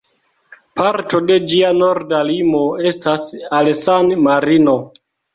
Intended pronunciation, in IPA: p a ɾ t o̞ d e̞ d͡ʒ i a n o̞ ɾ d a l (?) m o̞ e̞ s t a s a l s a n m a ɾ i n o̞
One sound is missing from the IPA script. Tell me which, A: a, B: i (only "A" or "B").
B